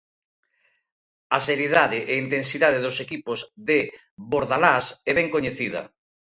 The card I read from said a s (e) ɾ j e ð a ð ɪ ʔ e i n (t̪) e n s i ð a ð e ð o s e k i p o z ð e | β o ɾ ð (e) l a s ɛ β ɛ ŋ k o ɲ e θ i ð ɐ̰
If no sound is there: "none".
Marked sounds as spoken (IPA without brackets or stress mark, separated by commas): e, t̪, a